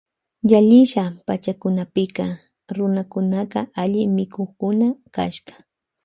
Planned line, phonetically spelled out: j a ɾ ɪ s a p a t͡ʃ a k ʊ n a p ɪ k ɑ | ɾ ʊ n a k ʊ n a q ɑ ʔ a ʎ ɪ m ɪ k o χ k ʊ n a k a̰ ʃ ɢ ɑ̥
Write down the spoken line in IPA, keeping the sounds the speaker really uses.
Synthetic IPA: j a ʎ ɪ ʃ a p a t͡ʃ a k ʊ n a p ɪ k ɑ | ɾ ʊ n a k ʊ n a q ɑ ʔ a ʎ ɪ m ɪ k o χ k ʊ n a k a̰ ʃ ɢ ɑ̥

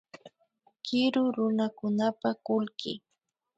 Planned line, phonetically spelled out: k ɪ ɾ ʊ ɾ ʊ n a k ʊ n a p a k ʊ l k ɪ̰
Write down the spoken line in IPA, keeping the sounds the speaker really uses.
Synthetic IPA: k ɪ ɾ ʊ ɾ ʊ n a k ʊ n a p a k ʊ l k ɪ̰

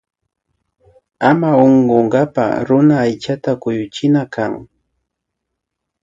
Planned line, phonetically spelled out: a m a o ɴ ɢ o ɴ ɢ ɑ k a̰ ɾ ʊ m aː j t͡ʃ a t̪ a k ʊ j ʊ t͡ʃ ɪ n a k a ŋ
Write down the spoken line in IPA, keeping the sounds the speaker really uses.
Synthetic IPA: a m a o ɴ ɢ o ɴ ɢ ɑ p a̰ ɾ ʊ n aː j t͡ʃ a t̪ a k ʊ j ʊ t͡ʃ ɪ n a k a ŋ

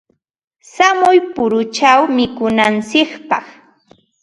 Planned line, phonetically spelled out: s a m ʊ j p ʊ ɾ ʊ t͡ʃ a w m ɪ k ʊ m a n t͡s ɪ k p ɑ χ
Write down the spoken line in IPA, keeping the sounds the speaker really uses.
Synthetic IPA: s a m ʊ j p ʊ ɾ ʊ t͡ʃ a w m ɪ k ʊ n a n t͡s ɪ k p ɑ χ

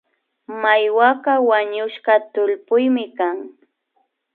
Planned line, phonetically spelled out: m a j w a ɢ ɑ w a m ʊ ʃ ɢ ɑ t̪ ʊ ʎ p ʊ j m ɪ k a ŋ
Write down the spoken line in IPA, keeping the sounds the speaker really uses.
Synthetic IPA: m a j w a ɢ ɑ w a ɲ ʊ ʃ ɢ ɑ t̪ ʊ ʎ p ʊ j m ɪ k a ŋ

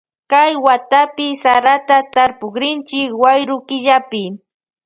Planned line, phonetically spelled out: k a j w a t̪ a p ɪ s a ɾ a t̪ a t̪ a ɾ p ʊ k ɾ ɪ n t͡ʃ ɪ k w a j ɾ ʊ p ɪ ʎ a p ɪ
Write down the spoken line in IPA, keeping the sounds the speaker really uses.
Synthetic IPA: k a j w a t̪ a p ɪ s a ɾ a t̪ a t̪ a ɾ p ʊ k ɾ ɪ n t͡ʃ ɪ k w a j ɾ ʊ k ɪ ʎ a p ɪ

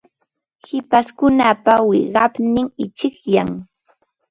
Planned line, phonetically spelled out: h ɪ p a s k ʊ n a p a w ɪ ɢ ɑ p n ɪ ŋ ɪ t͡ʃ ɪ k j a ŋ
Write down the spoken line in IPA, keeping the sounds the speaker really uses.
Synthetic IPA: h ɪ p a s k ʊ n a p a w ɪ ɢ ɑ p n ɪ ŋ ɪ t͡ʃ ɪ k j a ŋ

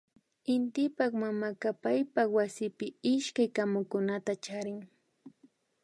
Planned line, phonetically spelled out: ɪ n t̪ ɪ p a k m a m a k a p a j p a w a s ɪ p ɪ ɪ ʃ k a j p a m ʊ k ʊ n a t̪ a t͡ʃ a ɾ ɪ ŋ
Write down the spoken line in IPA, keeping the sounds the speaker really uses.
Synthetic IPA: ɪ n t̪ ɪ p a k m a m a k a p a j p a w a s ɪ p ɪ ɪ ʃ k a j k a m ʊ k ʊ n a t̪ a t͡ʃ a ɾ ɪ ŋ

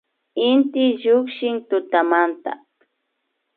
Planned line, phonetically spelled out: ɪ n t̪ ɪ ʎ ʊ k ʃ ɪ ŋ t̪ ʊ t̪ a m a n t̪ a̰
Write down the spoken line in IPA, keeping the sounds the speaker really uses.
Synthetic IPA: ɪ n t̪ ɪ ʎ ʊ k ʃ ɪ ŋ t̪ ʊ t̪ a m a n t̪ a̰

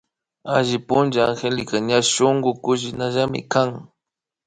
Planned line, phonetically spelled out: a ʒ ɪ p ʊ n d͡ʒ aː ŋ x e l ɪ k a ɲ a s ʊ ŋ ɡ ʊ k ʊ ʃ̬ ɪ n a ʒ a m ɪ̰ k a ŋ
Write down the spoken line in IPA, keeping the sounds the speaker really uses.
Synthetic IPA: a ʒ ɪ p ʊ n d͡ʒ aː ŋ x e l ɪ k a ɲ a ʃ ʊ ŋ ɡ ʊ k ʊ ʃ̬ ɪ n a ʒ a m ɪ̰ k a ŋ

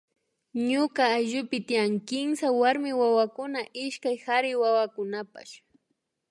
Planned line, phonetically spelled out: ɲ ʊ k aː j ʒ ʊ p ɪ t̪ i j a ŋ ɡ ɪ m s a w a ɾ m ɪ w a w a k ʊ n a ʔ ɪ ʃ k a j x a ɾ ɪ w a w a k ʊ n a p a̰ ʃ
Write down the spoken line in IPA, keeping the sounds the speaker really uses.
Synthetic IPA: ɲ ʊ k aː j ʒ ʊ p ɪ t̪ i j a ŋ k ɪ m s a w a ɾ m ɪ w a w a k ʊ n a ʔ ɪ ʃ k a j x a ɾ ɪ w a w a k ʊ n a p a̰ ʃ

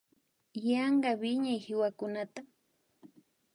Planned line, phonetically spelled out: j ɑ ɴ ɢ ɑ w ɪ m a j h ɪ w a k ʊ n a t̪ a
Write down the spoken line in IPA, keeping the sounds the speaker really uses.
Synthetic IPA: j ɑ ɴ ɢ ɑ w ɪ ɲ a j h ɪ w a k ʊ n a t̪ a

